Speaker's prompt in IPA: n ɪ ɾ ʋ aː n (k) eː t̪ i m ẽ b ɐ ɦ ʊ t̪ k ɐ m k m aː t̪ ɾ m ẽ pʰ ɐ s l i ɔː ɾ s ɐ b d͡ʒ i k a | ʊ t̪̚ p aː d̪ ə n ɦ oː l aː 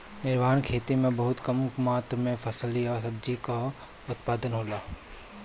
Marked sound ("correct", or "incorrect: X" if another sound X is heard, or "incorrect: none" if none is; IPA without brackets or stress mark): incorrect: kʰ